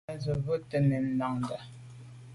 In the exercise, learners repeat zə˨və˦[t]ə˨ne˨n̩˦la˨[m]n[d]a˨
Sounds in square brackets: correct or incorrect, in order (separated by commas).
correct, incorrect, correct